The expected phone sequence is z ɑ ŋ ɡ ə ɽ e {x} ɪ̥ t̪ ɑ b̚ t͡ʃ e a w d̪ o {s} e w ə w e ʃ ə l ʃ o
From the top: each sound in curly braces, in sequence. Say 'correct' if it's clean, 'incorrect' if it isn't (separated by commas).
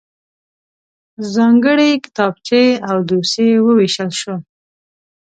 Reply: incorrect, correct